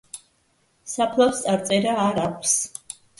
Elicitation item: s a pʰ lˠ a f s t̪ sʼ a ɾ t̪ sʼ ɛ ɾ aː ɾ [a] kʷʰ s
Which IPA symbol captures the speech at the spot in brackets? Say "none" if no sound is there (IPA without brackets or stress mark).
a